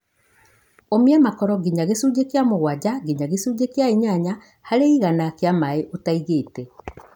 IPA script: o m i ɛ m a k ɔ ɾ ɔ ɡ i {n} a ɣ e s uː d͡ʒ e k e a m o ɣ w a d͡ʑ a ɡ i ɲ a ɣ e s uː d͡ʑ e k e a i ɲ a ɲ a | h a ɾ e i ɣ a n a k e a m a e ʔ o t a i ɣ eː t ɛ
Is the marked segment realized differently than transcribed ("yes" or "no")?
yes